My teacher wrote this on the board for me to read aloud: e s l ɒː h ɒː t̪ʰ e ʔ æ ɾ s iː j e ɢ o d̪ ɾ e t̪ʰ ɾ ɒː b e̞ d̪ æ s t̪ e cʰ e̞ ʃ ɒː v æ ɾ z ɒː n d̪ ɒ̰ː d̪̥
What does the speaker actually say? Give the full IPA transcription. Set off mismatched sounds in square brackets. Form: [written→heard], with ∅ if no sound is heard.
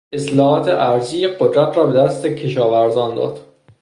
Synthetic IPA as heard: e s l ɒː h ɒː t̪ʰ e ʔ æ ɾ [s→z] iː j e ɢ o d̪ ɾ [e→æ] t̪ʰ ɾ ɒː b e̞ d̪ æ s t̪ e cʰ e̞ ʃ ɒː v æ ɾ z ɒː n d̪ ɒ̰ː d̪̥